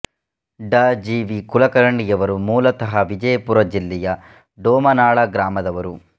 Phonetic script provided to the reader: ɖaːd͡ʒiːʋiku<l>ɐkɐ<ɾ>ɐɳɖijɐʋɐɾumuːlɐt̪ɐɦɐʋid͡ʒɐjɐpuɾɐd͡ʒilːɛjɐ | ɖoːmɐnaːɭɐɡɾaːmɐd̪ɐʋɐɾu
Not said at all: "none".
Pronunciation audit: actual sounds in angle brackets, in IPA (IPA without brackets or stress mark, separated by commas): l, ɾ